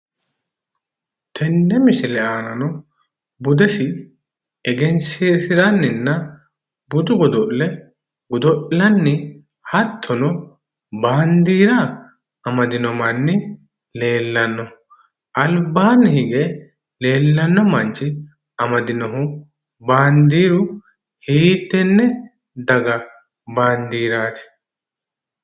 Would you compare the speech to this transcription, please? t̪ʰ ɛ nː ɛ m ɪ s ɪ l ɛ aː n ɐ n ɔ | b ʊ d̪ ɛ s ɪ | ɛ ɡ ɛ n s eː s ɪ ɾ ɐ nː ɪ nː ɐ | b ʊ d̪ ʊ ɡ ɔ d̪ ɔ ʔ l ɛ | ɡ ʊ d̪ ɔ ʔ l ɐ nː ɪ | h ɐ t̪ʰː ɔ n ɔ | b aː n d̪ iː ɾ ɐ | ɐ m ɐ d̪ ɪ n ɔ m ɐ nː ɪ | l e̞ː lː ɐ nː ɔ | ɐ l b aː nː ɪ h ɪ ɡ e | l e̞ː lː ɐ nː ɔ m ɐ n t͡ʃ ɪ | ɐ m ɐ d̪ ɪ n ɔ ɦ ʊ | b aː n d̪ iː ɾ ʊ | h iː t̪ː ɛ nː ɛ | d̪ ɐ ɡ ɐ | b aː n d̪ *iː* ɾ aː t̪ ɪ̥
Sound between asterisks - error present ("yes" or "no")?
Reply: no